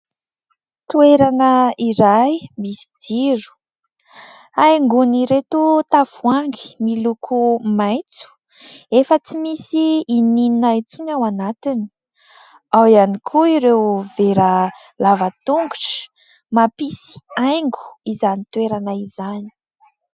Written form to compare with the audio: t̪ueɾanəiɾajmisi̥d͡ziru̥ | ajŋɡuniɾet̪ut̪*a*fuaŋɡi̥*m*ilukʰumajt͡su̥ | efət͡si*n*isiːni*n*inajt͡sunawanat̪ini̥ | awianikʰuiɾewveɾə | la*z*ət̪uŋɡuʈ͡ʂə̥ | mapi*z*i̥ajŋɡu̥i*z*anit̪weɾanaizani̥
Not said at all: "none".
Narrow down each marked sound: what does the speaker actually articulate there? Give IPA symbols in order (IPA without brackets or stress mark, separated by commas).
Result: a, m, m, n, v, s, z